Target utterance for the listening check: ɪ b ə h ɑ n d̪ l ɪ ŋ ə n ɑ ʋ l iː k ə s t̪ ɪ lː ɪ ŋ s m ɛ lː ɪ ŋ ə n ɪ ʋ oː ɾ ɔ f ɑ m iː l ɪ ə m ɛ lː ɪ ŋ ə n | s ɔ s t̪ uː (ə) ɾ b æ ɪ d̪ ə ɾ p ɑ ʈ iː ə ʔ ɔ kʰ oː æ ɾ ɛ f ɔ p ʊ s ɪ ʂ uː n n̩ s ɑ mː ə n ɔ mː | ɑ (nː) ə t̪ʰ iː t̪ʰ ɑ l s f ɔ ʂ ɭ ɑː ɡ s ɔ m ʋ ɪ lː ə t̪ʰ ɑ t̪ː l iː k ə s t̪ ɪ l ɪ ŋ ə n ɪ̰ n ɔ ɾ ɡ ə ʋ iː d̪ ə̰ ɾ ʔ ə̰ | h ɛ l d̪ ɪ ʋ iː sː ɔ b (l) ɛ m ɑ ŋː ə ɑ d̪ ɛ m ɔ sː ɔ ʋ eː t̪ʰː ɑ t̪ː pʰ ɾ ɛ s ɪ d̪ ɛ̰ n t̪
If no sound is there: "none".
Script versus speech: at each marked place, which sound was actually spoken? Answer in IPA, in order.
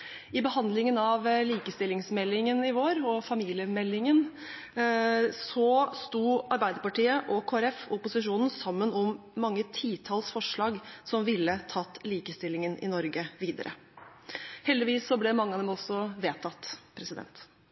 ɑ, ŋː, l

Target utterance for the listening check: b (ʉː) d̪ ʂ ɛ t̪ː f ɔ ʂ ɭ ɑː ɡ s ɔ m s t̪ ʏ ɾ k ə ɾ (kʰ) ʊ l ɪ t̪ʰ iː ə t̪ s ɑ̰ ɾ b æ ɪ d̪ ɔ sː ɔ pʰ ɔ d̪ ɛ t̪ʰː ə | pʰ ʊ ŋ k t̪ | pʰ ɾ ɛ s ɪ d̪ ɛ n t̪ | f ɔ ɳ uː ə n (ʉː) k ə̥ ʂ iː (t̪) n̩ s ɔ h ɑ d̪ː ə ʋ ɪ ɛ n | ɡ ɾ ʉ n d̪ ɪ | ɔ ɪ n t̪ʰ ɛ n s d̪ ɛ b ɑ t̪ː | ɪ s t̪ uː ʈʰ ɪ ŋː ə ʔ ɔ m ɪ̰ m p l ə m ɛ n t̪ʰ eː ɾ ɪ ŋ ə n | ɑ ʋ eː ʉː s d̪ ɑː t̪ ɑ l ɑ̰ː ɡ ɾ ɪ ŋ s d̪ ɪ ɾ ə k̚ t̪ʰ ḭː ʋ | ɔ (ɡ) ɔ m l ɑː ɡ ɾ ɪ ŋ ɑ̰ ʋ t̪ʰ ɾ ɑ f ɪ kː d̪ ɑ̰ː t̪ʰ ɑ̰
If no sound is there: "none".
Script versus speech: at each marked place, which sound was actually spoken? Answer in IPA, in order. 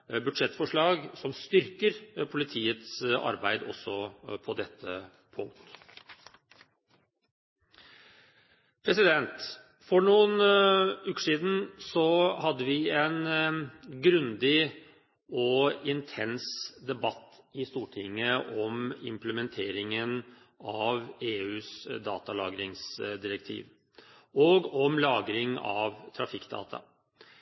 ʉ, pʰ, ʉː, d̪, ɡ

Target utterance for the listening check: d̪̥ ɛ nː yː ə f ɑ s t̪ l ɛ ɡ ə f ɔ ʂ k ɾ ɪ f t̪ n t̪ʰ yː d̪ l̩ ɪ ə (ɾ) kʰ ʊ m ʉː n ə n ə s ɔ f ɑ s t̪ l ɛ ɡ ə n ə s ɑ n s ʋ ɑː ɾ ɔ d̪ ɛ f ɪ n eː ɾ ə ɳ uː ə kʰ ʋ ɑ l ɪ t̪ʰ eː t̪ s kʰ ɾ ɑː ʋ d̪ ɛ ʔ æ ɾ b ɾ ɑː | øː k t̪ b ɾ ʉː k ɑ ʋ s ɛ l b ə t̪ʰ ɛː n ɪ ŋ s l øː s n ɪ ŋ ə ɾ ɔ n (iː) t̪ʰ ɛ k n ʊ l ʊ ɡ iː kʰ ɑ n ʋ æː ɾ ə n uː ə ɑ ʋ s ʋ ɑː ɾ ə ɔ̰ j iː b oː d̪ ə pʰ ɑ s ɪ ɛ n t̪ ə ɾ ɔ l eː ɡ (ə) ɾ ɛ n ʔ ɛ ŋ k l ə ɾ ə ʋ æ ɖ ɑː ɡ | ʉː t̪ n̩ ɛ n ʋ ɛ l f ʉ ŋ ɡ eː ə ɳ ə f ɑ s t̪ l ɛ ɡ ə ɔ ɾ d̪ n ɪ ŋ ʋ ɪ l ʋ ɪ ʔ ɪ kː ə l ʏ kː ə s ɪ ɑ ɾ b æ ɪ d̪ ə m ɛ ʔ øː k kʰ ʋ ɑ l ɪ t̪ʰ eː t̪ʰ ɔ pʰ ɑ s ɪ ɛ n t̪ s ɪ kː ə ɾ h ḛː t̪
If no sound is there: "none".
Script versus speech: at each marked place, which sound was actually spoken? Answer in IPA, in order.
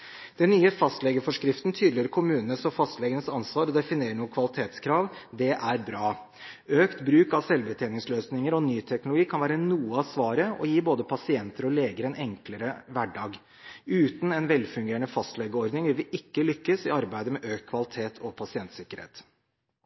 ɾ, yː, ə

